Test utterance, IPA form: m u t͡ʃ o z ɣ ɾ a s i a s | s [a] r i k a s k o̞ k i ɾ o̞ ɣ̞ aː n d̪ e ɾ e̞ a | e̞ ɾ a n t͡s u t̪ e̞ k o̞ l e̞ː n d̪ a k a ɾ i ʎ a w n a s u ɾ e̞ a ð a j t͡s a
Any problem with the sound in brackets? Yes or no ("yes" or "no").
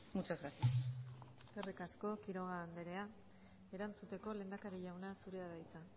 yes